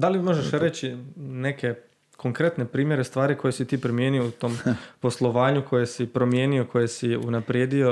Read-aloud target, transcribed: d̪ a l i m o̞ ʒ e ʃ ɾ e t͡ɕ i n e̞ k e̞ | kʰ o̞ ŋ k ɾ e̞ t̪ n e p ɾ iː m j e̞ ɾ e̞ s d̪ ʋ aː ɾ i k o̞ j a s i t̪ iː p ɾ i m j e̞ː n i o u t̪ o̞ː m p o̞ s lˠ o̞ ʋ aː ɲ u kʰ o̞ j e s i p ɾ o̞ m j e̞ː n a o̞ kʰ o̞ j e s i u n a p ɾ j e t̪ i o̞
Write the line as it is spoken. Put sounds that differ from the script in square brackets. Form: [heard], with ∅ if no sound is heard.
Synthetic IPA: d̪ a l i m o̞ ʒ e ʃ ɾ e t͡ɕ i n e̞ k e̞ | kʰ o̞ ŋ k ɾ e̞ t̪ n e p ɾ iː m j e̞ ɾ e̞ s [t̪] ʋ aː ɾ i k o̞ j [e] s i t̪ iː p ɾ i m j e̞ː n i o u t̪ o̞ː m p o̞ s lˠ o̞ ʋ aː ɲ u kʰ o̞ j e s i p ɾ o̞ m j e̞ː n [i] o̞ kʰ o̞ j e s i u n a p ɾ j e [d̪] i o̞